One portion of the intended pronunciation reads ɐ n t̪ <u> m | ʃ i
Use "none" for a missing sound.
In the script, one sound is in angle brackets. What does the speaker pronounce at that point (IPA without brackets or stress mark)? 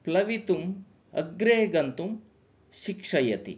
u